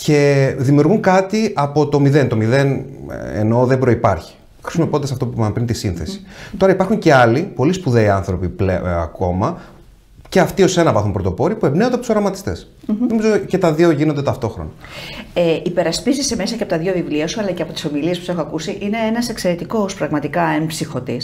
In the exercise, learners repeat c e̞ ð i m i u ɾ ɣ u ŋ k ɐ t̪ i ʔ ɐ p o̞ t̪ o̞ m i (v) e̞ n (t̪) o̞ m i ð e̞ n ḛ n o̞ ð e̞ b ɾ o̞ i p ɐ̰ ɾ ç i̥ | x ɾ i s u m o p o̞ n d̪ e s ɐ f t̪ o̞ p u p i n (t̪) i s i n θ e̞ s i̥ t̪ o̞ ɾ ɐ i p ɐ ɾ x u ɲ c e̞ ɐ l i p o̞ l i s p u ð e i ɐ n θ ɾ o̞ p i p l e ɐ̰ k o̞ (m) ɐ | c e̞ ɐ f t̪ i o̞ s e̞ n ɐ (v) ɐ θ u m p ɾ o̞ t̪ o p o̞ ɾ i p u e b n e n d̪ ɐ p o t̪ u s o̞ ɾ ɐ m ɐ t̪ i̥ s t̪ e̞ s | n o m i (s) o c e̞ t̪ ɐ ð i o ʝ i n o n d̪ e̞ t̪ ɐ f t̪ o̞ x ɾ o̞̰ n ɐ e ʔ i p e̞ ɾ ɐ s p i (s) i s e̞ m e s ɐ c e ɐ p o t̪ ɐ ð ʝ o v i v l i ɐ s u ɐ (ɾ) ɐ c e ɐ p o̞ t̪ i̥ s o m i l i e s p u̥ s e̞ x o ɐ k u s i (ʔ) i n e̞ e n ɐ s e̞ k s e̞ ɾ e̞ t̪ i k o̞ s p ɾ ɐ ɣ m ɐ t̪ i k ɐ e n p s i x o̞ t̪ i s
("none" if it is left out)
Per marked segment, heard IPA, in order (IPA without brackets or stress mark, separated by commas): ð, t̪, t̪, m, v, z, z, l, ʔ